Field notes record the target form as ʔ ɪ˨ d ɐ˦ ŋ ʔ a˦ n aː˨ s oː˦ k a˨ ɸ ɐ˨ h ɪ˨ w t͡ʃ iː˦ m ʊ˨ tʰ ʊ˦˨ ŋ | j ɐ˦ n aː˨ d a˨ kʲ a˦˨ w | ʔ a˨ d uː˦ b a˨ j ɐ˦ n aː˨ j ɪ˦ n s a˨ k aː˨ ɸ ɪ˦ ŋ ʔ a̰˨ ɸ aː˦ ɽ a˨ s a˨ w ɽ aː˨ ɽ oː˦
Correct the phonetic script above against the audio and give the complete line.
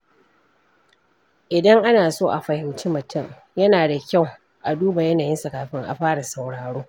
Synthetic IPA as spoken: ʔ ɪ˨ d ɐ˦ ŋ ʔ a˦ n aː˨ s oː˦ ʔ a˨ ɸ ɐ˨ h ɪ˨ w t͡ʃ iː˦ m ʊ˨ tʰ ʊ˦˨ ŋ | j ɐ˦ n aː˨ d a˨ kʲ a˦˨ w | ʔ a˨ d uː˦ b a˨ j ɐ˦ n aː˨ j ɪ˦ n s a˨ k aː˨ ɸ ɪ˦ ŋ ʔ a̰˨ ɸ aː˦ ɽ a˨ s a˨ w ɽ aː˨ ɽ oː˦